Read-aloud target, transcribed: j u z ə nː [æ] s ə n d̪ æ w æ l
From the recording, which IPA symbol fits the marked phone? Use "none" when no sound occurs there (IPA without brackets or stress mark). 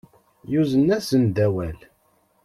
æ